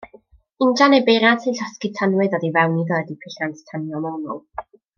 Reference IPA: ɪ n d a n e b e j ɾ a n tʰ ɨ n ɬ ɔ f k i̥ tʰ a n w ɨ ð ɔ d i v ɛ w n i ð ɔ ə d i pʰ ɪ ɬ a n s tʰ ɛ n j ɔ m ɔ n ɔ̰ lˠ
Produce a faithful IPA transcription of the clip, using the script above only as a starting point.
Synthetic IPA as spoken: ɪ n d a n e b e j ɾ a n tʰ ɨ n ɬ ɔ s k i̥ tʰ a n w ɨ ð ɔ d i v ɛ w n i ð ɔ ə d i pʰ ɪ ɬ a n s tʰ a n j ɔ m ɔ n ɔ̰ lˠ